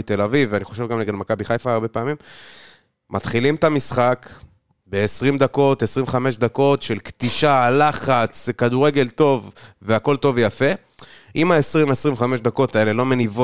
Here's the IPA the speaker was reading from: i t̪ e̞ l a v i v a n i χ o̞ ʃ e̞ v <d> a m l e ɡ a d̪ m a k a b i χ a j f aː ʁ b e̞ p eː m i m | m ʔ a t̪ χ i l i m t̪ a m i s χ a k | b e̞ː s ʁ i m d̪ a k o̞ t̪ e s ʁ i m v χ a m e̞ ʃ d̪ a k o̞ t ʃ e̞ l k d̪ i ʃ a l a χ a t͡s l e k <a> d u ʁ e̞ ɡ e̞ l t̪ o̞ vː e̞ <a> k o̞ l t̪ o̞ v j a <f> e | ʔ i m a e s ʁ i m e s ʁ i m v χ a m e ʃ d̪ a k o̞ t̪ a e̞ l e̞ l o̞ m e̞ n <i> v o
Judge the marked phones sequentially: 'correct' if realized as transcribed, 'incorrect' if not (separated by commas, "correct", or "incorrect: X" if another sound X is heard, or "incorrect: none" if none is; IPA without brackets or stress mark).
incorrect: ɡ, correct, correct, correct, correct